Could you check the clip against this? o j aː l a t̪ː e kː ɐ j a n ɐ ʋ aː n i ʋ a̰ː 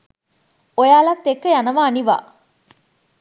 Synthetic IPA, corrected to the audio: o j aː l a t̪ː e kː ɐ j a n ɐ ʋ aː n i ʋ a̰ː